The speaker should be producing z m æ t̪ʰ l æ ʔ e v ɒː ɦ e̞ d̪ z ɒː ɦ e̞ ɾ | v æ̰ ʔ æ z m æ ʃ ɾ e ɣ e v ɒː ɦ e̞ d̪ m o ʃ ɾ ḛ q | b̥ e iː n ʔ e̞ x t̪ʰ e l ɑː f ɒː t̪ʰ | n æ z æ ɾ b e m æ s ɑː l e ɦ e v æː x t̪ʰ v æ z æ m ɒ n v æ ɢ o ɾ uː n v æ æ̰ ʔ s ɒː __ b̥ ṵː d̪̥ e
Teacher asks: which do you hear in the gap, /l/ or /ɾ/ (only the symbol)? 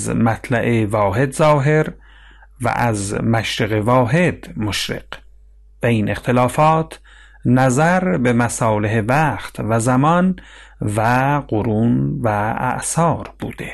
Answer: ɾ